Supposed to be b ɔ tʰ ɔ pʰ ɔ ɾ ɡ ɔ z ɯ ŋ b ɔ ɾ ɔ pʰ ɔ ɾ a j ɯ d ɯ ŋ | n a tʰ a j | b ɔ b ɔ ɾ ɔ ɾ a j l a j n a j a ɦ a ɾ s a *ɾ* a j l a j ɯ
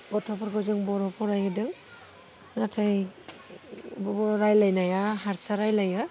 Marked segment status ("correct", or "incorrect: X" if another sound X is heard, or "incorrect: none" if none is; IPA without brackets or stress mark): correct